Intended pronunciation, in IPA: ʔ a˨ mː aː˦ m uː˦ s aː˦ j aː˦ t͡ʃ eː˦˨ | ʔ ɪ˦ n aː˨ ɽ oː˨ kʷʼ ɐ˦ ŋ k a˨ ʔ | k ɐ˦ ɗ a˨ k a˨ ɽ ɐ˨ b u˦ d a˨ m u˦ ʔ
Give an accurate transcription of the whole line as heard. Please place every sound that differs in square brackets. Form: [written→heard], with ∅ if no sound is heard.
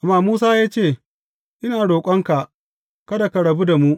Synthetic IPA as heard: ʔ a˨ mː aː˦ m uː˦ s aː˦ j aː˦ t͡ʃ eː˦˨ | ʔ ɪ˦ n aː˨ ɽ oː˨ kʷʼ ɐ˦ ŋ k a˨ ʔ | k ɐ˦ [ɗ→d] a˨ k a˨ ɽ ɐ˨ b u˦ d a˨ m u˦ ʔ